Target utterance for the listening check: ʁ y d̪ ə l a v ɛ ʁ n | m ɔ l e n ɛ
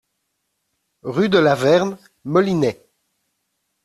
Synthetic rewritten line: ʁ y d̪ ə l a v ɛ ʁ n | m ɔ l i n ɛ